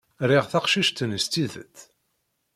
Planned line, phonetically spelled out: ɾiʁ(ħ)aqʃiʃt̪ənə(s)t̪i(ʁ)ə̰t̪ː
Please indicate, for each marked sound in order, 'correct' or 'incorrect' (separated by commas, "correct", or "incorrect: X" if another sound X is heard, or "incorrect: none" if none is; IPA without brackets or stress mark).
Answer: incorrect: θ, correct, incorrect: ð